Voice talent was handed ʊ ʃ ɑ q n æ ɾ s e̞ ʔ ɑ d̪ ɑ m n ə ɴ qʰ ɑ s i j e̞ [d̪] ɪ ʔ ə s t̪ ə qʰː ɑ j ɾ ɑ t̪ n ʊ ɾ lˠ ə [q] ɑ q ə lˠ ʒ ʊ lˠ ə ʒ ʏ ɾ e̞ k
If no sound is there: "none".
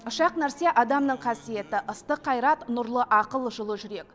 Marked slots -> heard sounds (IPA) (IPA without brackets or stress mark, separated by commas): t̪, ʔ